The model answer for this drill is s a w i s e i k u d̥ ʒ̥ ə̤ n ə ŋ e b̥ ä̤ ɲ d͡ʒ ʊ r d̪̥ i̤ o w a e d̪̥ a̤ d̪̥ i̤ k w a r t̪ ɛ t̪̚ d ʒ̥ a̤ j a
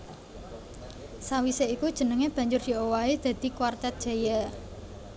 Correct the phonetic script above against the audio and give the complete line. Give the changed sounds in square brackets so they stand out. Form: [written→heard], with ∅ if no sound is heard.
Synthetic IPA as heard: s a w i s e i k u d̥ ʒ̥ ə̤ n ə ŋ e b̥ ä̤ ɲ d͡ʒ ʊ r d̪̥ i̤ o w a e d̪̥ a̤ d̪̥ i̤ k w a r t̪ ɛ t̪̚ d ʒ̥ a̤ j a